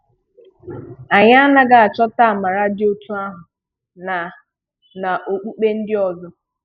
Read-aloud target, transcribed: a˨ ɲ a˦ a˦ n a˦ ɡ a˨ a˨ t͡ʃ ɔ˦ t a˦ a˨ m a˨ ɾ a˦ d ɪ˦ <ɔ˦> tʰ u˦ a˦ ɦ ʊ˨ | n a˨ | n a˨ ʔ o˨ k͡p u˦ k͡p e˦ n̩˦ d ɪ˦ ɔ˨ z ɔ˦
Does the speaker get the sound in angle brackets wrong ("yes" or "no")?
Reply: yes